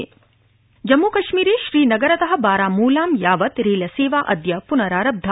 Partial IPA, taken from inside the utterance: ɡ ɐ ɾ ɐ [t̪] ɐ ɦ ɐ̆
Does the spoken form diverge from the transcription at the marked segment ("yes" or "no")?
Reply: no